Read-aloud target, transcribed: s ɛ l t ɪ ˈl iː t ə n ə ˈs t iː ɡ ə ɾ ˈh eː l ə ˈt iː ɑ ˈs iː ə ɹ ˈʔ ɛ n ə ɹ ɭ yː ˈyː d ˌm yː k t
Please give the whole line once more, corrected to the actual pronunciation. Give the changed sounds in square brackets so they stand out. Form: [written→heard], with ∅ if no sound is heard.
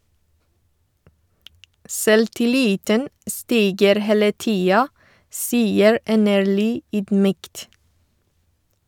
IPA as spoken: s ɛ l t ɪ ˈl iː t ə n ə ˈs t iː ɡ ə ɾ ˈh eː l ə ˈt iː ɑ ˈs iː ə ɹ ˈʔ ɛ n ə ɹ ɭ yː ˈyː d ˌm yː k t